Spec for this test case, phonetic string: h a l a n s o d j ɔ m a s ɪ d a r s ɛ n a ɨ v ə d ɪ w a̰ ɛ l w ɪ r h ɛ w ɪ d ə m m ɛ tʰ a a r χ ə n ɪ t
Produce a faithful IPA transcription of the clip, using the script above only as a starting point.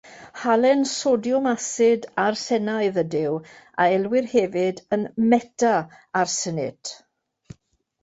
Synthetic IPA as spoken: h a l ɛ n s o d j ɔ m a s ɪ d a r s ɛ n a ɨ ð ə d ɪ w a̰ ɛ l w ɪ r h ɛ v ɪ d ə n m ɛ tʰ a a r s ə n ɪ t